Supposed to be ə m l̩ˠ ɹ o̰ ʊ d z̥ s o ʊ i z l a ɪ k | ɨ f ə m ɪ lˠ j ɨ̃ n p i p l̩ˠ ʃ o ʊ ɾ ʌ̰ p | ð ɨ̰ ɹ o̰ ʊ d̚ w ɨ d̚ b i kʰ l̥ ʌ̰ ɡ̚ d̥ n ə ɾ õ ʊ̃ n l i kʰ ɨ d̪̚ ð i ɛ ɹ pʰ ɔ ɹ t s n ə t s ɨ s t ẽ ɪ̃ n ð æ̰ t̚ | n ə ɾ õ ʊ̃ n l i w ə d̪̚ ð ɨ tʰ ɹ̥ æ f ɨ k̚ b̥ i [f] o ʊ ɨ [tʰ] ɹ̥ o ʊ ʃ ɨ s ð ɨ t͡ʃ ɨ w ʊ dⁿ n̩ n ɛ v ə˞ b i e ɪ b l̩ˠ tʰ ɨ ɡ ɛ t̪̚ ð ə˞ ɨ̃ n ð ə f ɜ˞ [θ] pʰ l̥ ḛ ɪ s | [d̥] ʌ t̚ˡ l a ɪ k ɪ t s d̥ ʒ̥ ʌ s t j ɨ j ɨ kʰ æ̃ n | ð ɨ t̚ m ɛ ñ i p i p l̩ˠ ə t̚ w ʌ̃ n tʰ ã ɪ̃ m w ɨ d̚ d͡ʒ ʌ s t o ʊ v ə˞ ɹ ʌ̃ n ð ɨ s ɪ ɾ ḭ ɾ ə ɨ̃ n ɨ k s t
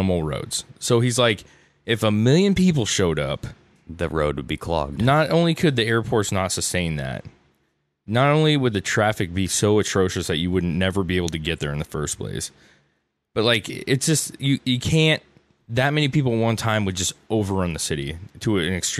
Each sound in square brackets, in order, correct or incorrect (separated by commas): incorrect, correct, incorrect, incorrect